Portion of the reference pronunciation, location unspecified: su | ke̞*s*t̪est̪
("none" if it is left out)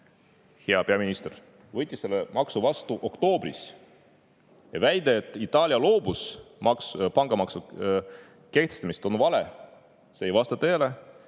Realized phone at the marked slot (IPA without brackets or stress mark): h